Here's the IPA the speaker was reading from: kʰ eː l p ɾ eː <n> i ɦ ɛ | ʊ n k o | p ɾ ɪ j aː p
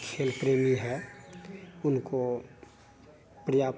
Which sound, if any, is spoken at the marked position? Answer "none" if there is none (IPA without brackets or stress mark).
m